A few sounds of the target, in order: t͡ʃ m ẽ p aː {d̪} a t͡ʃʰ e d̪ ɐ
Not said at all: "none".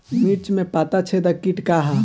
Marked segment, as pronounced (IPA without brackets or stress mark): t̪